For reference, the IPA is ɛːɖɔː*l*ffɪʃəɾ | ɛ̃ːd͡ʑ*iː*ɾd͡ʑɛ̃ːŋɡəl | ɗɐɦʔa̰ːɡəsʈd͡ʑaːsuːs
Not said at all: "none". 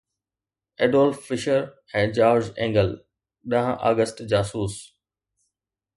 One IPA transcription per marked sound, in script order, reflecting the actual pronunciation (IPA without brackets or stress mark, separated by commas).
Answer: l, aː